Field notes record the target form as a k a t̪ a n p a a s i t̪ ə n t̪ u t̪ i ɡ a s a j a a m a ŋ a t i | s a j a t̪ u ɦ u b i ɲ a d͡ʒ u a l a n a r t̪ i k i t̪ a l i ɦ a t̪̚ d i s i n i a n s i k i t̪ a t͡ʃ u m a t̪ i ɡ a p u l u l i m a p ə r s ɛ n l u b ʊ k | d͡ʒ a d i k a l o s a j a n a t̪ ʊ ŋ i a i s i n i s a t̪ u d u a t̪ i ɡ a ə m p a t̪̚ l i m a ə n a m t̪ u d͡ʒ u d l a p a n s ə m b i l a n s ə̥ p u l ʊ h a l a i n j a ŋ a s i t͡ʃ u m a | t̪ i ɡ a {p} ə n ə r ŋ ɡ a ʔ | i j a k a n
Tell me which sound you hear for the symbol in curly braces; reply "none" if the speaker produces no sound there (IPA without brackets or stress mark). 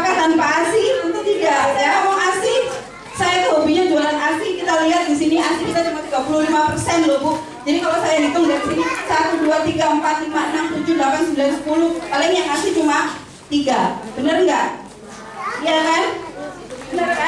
b